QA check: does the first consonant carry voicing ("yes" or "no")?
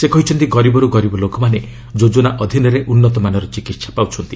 no